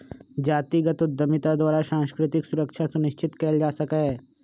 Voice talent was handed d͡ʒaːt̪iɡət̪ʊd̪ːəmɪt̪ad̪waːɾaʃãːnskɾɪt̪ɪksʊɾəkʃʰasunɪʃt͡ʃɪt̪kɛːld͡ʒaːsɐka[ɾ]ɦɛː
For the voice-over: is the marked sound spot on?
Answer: no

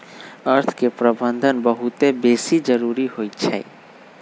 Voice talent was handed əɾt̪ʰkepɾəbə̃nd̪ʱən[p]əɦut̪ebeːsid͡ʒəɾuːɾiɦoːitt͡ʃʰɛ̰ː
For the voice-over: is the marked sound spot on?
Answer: no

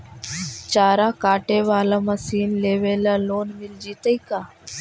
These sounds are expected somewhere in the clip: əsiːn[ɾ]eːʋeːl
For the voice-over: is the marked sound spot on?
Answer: no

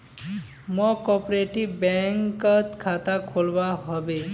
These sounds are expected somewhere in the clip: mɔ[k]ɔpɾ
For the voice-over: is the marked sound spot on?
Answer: yes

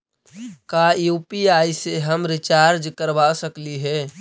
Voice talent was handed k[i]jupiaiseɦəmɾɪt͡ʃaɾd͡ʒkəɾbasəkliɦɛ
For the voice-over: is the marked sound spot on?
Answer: no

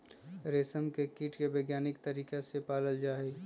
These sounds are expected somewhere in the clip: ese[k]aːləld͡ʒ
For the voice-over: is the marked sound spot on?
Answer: no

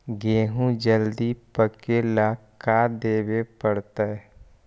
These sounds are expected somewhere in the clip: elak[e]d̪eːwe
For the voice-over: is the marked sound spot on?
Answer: no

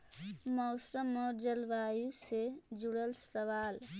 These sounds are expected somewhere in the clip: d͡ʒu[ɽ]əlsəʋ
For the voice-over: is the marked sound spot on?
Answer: yes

